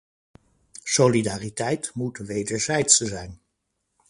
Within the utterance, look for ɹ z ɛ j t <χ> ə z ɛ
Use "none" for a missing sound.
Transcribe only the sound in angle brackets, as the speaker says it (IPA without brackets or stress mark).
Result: s